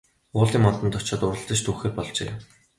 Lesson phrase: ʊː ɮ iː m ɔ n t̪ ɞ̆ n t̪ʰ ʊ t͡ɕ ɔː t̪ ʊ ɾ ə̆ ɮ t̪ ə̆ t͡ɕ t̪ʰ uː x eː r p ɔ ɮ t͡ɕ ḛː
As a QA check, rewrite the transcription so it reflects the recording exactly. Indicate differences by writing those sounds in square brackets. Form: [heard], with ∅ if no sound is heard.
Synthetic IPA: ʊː ɮ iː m ɔ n t̪ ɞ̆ n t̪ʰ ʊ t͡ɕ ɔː t̪ ʊ ɾ ə̆ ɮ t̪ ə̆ t͡ɕ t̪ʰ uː x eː r p ɔ ɮ t͡ɕ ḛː

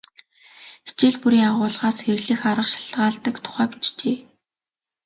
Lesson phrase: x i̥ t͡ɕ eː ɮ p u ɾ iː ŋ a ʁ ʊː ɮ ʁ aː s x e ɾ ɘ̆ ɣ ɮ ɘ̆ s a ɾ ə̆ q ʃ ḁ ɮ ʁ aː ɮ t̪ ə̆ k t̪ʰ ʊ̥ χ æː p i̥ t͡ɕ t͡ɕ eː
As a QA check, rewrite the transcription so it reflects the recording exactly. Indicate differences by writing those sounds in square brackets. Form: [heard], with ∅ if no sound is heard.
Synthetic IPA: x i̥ t͡ɕ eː ɮ p u ɾ iː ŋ a ʁ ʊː ɮ ʁ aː s x e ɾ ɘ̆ ɣ ɮ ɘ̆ [x] a ɾ ə̆ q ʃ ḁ ɮ ʁ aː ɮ t̪ ə̆ k t̪ʰ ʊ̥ χ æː p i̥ t͡ɕ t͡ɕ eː

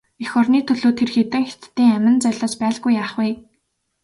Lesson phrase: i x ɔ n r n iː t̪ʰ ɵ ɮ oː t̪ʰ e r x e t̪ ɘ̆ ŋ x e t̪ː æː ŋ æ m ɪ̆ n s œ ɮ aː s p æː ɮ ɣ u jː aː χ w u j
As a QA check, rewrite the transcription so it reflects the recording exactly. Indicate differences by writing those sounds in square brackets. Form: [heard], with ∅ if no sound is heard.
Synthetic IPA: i x ɔ [∅] r n iː t̪ʰ ɵ ɮ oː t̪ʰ e r x e t̪ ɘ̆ ŋ x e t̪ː [iː] ŋ æ m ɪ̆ n [t͡s] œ ɮ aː s p æː ɮ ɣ u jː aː χ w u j

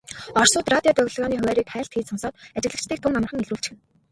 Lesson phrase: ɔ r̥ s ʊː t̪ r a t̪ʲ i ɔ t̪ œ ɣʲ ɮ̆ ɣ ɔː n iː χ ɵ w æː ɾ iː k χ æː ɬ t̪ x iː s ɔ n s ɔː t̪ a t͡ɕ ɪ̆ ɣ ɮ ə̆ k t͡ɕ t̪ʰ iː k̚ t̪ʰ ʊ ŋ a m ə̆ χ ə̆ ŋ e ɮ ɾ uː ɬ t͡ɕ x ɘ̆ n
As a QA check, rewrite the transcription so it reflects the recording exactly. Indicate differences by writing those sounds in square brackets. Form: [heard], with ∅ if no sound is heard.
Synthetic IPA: ɔ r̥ s ʊː t̪ r a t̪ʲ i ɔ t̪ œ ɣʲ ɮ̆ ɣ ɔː n iː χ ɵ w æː ɾ iː k χ æː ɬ t̪ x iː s ɔ n s ɔː t̪ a t͡ɕ ɪ̆ ɣ ɮ ə̆ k t͡ɕ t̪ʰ iː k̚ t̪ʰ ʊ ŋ a m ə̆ χ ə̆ ŋ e ɮ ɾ uː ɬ t͡ɕ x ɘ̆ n

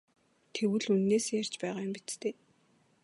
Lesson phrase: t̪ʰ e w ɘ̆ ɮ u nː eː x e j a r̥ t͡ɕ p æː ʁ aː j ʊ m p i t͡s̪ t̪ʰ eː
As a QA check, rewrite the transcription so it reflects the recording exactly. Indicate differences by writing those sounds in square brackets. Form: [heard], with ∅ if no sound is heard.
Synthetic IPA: t̪ʰ e w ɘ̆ ɮ u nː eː [s] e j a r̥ t͡ɕ p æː ʁ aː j ʊ m p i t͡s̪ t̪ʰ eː

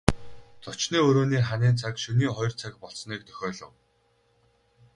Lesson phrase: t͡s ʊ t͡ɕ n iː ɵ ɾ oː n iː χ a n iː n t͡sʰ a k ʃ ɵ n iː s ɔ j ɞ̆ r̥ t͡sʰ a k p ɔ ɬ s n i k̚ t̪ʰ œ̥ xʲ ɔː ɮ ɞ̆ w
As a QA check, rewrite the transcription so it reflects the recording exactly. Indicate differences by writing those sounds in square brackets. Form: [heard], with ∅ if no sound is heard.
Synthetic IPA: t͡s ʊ t͡ɕ n iː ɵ ɾ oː n iː χ a n iː n t͡sʰ a k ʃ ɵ n iː [χ] ɔ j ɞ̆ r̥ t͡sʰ a k p ɔ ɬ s n [iː] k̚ t̪ʰ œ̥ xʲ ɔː ɮ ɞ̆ w

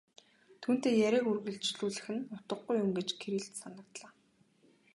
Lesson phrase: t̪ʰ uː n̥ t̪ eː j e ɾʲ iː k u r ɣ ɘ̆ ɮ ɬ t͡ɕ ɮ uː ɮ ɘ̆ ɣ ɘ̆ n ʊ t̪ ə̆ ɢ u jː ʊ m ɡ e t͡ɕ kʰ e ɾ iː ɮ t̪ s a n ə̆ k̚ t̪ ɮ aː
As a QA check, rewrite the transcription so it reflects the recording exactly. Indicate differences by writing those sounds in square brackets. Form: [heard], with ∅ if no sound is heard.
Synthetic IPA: t̪ʰ uː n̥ t̪ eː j [æ] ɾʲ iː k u r ɣ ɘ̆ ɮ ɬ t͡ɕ ɮ uː ɮ ɘ̆ [x] ɘ̆ n ʊ t̪ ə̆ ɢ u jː ʊ m ɡ e t͡ɕ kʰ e ɾ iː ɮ t̪ s a n ə̆ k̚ t̪ ɮ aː

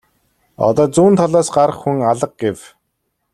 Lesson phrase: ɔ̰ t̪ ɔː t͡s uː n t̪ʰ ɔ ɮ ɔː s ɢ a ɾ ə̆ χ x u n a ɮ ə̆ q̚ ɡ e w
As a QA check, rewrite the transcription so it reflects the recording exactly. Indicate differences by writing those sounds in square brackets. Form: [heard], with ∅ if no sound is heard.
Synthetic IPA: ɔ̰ t̪ ɔː t͡s uː n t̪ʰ ɔ ɮ ɔː s ɢ a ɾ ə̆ χ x u [ŋ] a ɮ ə̆ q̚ ɡ e w

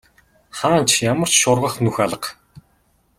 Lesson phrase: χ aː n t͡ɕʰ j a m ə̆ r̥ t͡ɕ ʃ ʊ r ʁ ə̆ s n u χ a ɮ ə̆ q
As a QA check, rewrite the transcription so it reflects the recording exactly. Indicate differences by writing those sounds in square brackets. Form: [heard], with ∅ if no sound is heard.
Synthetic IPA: χ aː n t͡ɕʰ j a m ə̆ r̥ t͡ɕ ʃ ʊ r ʁ ə̆ [χ] n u [x] a ɮ ə̆ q

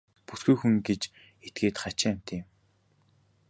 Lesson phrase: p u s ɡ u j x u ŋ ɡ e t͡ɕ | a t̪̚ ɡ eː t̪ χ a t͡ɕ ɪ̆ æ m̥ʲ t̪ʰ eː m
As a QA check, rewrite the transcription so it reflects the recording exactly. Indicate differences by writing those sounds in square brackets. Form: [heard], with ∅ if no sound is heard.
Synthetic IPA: p u s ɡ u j x u ŋ ɡ e t͡ɕ | [e] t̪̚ ɡ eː t̪ χ a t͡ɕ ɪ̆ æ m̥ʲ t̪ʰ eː m

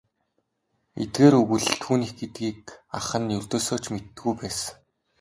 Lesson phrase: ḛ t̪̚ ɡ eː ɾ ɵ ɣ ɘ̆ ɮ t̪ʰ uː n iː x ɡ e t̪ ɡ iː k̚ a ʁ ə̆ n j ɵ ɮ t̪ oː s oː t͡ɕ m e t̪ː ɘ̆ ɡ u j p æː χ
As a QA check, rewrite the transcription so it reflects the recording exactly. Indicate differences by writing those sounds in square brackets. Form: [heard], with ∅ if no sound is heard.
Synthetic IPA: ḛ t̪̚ ɡ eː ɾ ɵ ɣ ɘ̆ ɮ t̪ʰ uː n iː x ɡ e t̪ ɡ iː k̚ a [χ] ə̆ n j ɵ ɮ t̪ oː s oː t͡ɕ m e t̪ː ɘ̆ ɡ u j p æː [s]

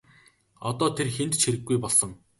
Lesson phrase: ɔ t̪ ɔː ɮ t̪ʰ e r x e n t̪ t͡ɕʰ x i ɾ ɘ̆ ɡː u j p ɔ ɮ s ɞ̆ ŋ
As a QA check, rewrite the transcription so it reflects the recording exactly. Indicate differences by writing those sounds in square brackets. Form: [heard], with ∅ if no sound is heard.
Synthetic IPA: ɔ t̪ ɔː [∅] t̪ʰ e r x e n t̪ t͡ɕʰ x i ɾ ɘ̆ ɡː u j p ɔ ɮ s ɞ̆ ŋ

